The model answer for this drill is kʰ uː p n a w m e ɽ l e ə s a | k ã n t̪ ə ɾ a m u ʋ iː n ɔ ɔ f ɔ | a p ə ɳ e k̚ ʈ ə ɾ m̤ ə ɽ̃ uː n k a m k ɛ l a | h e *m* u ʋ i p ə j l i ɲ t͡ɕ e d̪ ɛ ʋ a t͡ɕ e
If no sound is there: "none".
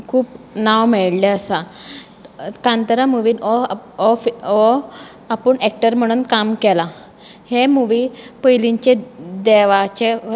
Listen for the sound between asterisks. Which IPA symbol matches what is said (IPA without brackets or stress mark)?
m